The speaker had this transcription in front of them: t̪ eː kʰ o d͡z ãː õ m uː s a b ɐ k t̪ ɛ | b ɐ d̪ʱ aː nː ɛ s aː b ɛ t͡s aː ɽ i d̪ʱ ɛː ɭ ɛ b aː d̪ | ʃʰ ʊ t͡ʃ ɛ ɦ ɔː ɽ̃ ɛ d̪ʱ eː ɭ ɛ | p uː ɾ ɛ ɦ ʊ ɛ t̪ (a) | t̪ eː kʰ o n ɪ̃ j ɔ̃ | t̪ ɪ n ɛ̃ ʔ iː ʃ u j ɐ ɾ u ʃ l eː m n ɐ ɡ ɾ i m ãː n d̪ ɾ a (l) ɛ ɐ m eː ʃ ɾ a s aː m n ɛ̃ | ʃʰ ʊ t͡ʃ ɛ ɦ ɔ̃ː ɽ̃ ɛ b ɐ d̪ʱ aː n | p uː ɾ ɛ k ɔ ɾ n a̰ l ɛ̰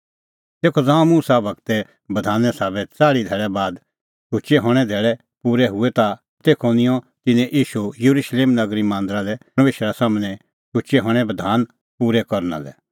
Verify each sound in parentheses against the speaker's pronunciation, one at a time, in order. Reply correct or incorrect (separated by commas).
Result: correct, correct